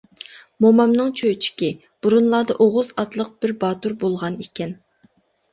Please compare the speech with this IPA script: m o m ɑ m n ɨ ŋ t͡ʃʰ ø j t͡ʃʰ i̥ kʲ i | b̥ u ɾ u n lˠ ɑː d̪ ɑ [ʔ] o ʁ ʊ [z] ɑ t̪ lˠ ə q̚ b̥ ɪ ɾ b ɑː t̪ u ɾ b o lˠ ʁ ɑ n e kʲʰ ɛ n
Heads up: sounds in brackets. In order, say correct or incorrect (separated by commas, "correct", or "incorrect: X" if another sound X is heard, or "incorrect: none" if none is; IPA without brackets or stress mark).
correct, correct